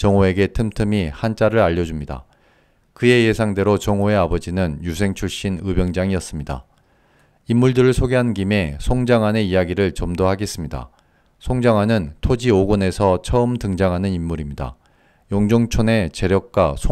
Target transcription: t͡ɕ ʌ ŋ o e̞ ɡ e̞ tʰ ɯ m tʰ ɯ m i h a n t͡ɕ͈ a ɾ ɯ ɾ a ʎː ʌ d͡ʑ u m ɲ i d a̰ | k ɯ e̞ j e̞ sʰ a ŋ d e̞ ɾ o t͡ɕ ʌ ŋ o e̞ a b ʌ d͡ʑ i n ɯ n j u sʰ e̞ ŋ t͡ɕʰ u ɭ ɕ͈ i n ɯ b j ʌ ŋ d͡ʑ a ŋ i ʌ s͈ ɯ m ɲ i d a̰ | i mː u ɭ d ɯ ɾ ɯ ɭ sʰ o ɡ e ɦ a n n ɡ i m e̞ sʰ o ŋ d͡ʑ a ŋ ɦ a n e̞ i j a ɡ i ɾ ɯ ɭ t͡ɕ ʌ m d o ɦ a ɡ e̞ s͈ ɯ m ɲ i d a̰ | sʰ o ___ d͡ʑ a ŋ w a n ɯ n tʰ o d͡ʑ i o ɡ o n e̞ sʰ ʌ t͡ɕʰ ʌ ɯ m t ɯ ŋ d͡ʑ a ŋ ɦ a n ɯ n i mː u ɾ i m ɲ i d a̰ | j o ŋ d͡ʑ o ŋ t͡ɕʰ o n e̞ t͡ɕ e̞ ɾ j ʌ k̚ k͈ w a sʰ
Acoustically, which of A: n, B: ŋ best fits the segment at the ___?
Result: B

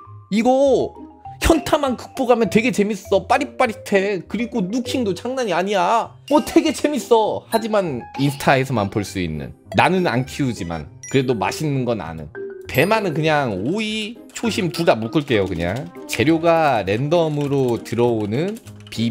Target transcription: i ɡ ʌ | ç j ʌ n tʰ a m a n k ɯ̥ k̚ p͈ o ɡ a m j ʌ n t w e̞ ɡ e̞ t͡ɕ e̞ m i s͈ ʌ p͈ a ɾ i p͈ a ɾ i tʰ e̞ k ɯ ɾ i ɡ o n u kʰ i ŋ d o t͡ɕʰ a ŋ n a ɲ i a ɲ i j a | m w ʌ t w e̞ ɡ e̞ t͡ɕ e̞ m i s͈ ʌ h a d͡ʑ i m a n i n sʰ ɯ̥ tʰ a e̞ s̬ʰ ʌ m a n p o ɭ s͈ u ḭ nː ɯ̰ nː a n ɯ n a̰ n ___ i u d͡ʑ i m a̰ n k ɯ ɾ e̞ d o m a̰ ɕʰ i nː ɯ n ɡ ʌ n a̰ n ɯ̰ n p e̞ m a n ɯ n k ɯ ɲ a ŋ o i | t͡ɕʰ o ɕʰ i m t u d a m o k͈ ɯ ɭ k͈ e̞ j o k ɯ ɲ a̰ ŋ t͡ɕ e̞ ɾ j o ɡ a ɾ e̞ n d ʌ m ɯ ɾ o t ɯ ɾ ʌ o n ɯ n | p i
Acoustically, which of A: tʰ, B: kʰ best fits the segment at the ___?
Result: B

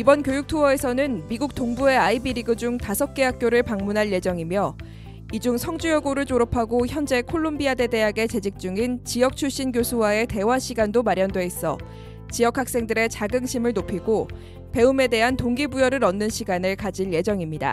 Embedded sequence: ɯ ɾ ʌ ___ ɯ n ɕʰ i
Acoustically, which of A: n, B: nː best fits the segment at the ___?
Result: B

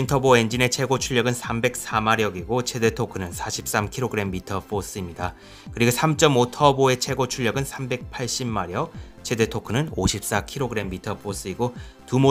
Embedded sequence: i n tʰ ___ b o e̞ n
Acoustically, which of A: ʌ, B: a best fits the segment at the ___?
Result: A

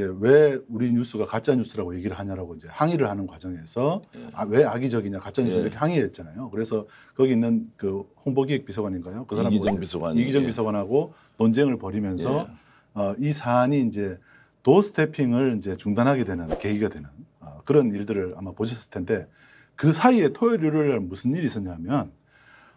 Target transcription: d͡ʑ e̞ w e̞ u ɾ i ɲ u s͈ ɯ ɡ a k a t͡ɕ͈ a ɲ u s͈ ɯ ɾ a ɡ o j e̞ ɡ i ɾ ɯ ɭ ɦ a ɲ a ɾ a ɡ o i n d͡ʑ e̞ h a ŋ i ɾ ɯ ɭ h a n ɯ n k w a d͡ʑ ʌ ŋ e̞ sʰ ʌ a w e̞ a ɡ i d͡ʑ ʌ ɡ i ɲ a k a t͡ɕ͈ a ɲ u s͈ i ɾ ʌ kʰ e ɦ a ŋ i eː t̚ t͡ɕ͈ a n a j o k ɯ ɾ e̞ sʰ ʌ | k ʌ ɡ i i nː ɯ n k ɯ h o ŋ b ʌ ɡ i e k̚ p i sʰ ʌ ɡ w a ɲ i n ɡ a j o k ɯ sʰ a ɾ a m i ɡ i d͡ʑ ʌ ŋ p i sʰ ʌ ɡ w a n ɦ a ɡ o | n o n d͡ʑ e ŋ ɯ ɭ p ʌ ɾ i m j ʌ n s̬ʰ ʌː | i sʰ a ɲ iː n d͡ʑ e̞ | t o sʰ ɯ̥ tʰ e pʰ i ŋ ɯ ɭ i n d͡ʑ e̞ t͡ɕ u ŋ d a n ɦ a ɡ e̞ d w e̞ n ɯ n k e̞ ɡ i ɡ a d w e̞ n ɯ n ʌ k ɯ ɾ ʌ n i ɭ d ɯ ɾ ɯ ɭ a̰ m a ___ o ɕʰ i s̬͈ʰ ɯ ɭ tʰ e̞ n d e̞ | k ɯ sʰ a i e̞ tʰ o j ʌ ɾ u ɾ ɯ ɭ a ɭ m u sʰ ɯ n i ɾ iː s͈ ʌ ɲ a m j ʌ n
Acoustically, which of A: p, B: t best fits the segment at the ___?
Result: A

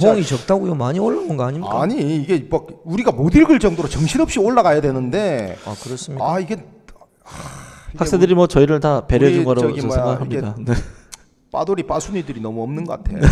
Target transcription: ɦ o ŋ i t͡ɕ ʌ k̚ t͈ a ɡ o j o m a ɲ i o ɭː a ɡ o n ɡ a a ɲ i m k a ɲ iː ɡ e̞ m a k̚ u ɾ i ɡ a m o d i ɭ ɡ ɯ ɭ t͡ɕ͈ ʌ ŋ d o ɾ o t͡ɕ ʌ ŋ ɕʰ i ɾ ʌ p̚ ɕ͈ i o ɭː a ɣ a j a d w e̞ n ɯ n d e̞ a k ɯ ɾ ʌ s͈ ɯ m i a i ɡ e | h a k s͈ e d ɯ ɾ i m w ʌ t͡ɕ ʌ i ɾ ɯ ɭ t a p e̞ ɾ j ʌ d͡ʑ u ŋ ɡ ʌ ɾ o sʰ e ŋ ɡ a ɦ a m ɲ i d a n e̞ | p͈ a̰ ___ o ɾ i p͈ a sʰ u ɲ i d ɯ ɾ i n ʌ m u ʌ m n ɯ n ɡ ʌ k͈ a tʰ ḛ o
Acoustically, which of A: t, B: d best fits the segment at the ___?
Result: B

